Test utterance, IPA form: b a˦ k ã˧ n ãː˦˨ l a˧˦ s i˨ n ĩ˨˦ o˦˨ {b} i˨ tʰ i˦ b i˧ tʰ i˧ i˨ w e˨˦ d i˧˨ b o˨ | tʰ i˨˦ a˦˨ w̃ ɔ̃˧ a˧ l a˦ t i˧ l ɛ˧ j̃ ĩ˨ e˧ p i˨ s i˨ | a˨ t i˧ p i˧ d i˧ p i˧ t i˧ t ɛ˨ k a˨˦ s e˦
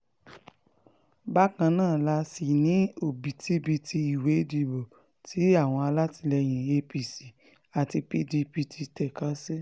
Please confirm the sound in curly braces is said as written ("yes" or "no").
yes